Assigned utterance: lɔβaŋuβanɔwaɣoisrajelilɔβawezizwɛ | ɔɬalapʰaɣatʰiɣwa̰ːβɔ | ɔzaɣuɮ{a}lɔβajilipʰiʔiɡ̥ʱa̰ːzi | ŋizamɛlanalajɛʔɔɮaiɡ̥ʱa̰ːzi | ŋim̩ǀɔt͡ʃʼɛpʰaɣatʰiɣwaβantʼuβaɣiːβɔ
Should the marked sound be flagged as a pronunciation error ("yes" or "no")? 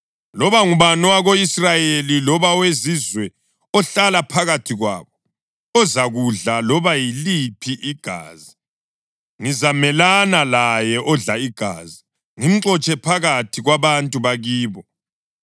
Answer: no